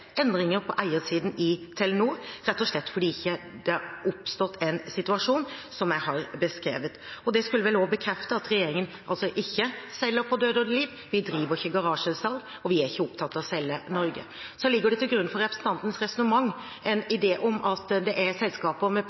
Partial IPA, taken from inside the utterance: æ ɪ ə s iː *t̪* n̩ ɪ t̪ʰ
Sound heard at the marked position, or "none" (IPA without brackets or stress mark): d̪